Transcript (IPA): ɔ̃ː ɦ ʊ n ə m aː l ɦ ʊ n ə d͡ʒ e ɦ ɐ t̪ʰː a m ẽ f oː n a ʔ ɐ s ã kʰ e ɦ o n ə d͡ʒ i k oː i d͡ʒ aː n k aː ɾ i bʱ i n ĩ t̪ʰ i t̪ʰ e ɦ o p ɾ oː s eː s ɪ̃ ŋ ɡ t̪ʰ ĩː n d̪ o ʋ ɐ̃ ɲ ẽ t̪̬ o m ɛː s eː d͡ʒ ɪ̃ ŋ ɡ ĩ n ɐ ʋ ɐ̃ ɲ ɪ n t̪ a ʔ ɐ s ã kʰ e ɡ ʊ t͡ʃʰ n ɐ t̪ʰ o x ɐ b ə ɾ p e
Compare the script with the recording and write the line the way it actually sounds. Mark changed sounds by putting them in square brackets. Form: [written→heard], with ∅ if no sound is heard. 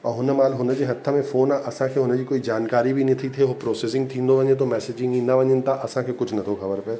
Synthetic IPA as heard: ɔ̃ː ɦ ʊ n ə m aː l ɦ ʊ n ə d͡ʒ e ɦ ɐ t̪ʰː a m ẽ f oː n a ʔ ɐ s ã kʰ e ɦ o n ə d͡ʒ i k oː i d͡ʒ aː n k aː ɾ i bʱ i n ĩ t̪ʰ i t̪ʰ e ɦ o p ɾ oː s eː s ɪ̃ ŋ ɡ t̪ʰ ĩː n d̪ o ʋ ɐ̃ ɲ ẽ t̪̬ o m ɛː s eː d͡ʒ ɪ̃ ŋ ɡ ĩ n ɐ ʋ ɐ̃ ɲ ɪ n t̪ a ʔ ɐ s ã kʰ e [ɡ→k] ʊ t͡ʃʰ n ɐ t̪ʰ o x ɐ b ə ɾ p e

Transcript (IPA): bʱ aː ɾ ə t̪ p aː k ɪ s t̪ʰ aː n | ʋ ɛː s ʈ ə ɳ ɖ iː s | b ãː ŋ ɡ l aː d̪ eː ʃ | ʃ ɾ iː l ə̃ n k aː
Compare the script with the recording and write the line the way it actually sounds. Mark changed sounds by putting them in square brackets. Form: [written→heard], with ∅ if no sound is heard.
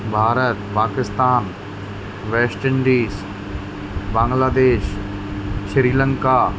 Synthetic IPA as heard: bʱ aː ɾ ə t̪ p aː k ɪ s [t̪ʰ→t̪] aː n | ʋ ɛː s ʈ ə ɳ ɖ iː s | b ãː ŋ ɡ l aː d̪ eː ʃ | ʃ ɾ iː l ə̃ [n→ŋ] k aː

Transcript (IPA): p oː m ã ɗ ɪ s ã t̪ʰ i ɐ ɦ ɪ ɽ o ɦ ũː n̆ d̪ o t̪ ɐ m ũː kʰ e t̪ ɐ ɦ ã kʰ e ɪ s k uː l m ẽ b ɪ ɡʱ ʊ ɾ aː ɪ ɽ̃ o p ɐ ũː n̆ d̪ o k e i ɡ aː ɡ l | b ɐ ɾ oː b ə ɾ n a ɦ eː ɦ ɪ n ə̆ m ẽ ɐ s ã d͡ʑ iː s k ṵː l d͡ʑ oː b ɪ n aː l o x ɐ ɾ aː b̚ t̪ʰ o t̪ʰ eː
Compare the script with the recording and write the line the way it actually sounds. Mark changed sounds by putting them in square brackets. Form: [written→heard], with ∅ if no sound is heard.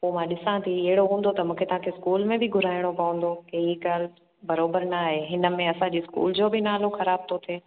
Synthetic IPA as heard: p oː m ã ɗ ɪ s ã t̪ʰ i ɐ ɦ ɪ ɽ o ɦ ũː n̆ d̪ o t̪ ɐ m ũː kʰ e t̪ ɐ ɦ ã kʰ e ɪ s k uː l m ẽ b ɪ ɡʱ ʊ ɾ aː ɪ ɽ̃ o p ɐ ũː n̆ d̪ o k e i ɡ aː [ɡ→∅] l | b ɐ ɾ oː b ə ɾ n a ɦ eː ɦ ɪ n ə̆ m ẽ ɐ s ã d͡ʑ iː s k ṵː l d͡ʑ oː b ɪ n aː l o x ɐ ɾ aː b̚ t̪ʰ o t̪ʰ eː

